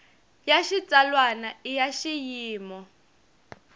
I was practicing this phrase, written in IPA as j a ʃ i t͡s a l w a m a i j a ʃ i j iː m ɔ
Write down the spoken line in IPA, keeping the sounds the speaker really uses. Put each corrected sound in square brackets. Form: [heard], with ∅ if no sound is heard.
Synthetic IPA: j a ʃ i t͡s a l w a [n] a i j a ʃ i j iː m ɔ